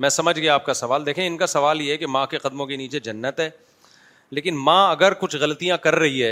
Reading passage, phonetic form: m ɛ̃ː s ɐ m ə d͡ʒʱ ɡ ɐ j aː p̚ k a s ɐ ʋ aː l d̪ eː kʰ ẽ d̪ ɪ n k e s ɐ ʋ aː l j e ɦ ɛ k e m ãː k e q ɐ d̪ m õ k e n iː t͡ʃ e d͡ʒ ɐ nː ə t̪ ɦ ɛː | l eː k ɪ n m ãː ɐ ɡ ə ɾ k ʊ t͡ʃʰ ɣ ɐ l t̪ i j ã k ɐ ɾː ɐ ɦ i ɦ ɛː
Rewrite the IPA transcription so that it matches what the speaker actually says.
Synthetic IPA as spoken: m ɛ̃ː s ɐ m ə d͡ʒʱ ɡ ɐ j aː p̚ k a s ɐ ʋ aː l d̪ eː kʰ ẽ ɪ n k a s ɐ ʋ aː l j e ɦ ɛ k e m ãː k e q ɐ d̪ m õ k e n iː t͡ʃ e d͡ʒ ɐ nː ə t̪ ɦ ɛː | l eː k ɪ n m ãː ɐ ɡ ə ɾ k ʊ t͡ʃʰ ɣ ɐ l t̪ i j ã k ɐ ɾː ɐ ɦ i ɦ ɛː